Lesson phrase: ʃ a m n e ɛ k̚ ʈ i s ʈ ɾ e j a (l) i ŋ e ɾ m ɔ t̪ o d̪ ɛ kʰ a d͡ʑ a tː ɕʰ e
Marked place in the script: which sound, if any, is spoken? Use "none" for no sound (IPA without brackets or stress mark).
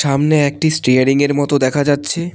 ɾ